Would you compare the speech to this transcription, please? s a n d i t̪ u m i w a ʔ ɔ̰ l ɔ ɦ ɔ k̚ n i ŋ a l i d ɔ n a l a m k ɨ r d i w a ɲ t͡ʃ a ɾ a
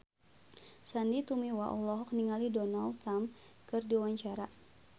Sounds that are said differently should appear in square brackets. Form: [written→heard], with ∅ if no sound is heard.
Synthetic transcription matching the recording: s a n d i t̪ u m i w a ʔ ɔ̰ l ɔ ɦ ɔ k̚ n i ŋ a l i d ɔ n a l a m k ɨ r d i w a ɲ t͡ʃ a ɾ a